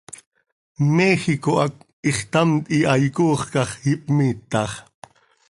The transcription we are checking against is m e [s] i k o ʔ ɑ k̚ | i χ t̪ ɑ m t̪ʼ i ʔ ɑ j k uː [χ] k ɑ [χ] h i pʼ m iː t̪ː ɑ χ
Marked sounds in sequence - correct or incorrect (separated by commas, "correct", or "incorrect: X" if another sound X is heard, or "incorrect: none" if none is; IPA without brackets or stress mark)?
incorrect: x, correct, correct